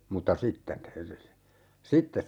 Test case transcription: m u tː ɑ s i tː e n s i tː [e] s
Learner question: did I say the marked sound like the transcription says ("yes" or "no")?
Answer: yes